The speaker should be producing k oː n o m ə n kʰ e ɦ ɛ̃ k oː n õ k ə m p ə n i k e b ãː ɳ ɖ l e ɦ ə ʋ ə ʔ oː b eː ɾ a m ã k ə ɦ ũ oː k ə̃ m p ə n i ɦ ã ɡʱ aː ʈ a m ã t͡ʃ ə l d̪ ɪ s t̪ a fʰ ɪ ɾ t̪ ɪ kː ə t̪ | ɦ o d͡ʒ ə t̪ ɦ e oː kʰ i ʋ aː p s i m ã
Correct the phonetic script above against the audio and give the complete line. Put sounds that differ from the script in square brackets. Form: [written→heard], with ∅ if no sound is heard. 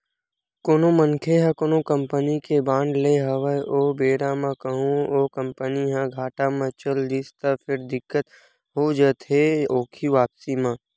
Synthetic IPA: k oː n o m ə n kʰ e ɦ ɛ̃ k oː n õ k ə m p ə n i k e b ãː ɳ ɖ l e ɦ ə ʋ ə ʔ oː b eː ɾ a m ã k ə ɦ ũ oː k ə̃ m p ə n i ɦ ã ɡʱ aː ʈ a m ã t͡ʃ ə l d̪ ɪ s t̪ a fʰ ɪ ɾ [t̪→d̪] ɪ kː ə t̪ | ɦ o d͡ʒ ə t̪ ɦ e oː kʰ i ʋ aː p s i m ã